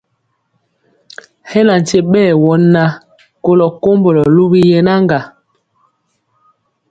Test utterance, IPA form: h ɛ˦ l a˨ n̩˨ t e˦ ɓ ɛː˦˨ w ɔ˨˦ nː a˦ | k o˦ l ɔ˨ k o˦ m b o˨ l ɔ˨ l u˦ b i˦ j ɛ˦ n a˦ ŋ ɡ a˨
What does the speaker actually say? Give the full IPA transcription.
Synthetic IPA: h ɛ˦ l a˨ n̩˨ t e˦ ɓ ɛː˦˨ w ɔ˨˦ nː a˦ | k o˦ l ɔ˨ k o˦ m b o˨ l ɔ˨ l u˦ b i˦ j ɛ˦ n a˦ ŋ ɡ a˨